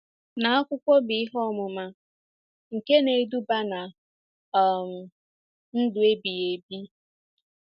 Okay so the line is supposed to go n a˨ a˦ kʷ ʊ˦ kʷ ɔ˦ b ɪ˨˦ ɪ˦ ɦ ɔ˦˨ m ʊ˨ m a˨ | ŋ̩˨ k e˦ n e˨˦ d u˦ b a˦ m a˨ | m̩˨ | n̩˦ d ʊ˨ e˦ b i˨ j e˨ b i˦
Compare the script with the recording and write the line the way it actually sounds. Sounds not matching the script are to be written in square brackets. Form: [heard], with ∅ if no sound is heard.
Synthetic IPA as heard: n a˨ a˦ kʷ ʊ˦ kʷ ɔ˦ b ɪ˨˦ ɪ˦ ɦ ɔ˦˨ m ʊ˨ m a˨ | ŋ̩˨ k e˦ n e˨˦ d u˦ b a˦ [n] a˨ | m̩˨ | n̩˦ d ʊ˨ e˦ b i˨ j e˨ b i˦